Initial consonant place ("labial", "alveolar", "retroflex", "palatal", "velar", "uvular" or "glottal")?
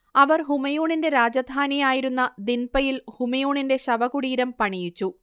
labial